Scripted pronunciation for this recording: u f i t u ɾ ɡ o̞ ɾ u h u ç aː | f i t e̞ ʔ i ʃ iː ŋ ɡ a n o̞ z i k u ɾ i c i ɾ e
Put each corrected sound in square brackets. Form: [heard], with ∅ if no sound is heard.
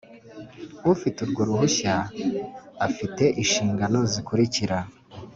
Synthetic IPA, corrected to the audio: u f i t u ɾ ɡ o̞ ɾ u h u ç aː | f i t e̞ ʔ i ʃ iː ŋ ɡ a n o̞ z i k u ɾ i c i ɾ [a]